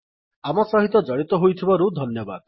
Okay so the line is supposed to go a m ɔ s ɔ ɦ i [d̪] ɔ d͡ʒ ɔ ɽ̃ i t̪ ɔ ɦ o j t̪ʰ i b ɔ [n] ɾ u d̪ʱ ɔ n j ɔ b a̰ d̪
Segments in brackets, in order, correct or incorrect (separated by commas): incorrect, incorrect